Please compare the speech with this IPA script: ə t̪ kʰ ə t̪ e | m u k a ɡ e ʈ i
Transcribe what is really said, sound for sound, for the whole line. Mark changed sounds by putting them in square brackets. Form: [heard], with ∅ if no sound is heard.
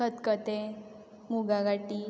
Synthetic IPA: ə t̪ [k] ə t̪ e | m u [ɡ] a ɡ [a] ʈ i